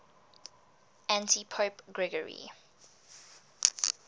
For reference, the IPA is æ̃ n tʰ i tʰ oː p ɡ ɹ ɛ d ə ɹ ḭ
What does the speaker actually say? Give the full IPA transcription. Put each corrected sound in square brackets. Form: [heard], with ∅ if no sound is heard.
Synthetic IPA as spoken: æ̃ n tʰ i [pʰ] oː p ɡ ɹ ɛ [ɡ] ə ɹ ḭ